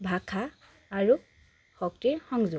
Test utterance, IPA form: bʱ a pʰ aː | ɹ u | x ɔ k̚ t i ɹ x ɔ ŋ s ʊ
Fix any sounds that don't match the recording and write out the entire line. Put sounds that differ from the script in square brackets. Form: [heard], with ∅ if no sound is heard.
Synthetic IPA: bʱ a [kʰ] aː | ɹ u | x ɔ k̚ t i ɹ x ɔ ŋ [z] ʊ